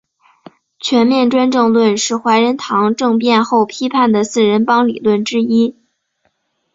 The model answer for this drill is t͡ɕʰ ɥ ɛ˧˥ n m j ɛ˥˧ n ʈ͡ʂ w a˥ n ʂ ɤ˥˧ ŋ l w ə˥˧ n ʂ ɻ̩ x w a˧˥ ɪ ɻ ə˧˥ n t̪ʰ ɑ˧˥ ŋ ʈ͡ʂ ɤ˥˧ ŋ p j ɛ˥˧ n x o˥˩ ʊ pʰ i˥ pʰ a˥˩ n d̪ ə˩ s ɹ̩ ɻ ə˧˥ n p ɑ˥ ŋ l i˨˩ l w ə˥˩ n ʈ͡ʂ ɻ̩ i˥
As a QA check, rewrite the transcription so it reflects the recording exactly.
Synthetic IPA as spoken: t͡ɕʰ ɥ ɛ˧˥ n m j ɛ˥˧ n ʈ͡ʂ w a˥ n ʈ͡ʂ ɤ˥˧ ŋ l w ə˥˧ n ʂ ɻ̩ x w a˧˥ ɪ ɻ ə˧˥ n t̪ʰ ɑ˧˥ ŋ ʈ͡ʂ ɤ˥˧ ŋ p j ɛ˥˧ n x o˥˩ ʊ pʰ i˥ pʰ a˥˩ n d̪ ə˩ s ɹ̩ ɻ ə˧˥ n p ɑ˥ ŋ l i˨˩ l w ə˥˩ n ʈ͡ʂ ɻ̩ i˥